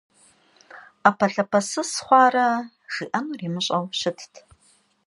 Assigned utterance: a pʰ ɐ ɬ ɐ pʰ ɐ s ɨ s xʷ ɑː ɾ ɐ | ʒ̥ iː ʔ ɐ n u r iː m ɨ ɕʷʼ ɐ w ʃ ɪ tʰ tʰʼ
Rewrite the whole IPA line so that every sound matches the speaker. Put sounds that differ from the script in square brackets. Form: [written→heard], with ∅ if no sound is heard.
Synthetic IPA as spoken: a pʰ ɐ ɬ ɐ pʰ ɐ s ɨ s [xʷ→χʷ] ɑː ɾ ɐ | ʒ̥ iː ʔ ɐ n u r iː m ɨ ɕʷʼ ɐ w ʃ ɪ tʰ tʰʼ

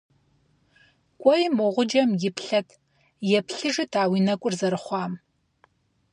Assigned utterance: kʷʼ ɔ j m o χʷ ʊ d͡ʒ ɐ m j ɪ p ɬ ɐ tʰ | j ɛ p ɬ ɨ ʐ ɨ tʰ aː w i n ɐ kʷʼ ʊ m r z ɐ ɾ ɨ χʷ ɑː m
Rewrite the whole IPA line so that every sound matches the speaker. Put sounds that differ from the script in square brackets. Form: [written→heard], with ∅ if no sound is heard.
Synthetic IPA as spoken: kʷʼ ɔ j m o [χʷ→ʁʷ] ʊ d͡ʒ ɐ m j ɪ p ɬ ɐ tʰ | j ɛ p ɬ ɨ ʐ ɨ tʰ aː w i n ɐ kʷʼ ʊ [m→∅] r z ɐ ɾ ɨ χʷ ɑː m

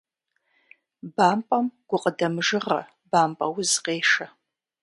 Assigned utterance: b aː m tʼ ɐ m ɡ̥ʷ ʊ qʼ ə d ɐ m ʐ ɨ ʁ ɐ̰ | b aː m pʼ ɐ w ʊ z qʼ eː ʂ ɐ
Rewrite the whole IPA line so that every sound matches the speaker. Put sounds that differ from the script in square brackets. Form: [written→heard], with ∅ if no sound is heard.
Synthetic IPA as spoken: b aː m [tʼ→pʼ] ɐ m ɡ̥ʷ ʊ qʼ ə d ɐ m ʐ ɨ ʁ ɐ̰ | b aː m pʼ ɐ w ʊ z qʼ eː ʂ ɐ

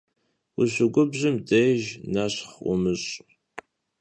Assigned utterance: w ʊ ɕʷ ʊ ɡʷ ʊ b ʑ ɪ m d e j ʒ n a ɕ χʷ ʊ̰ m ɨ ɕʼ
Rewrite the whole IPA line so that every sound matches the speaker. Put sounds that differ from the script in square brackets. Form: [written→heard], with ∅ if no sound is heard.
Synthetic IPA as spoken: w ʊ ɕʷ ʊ ɡʷ ʊ b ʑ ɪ m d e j ʒ n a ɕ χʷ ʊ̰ m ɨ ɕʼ

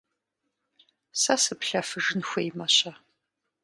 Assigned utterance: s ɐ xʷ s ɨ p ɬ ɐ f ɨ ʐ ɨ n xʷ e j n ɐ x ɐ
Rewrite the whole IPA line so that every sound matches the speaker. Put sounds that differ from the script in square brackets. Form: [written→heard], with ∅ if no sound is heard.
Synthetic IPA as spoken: s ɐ [xʷ→∅] s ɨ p ɬ ɐ f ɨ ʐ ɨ n xʷ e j [n→m] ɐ [x→ɕ] ɐ

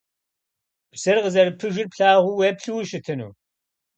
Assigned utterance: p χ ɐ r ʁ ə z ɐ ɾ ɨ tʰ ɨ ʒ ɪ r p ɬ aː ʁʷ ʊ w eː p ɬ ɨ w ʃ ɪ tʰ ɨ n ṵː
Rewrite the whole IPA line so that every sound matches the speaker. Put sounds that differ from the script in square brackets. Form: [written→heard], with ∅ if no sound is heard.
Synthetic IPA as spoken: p [χ→s] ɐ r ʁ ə z ɐ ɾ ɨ [tʰ→pʰ] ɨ ʒ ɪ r p ɬ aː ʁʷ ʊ w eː p ɬ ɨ w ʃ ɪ tʰ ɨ n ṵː

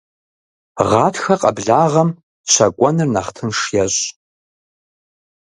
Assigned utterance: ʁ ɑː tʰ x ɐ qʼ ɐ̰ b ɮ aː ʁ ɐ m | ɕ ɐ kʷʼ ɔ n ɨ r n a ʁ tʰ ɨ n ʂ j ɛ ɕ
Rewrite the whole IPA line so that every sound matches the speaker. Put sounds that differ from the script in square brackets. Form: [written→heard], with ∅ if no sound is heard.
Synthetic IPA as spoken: ʁ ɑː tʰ x ɐ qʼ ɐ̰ b ɮ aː ʁ ɐ m | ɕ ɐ kʷʼ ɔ n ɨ r n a [ʁ→χ] tʰ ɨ n ʂ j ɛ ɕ

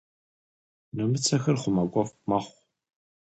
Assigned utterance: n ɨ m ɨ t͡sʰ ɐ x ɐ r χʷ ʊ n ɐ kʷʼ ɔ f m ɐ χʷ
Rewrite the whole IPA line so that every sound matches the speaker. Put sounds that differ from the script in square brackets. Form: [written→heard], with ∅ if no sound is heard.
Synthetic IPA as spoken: n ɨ m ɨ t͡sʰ ɐ x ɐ r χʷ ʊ [n→m] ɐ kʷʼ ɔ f m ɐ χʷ

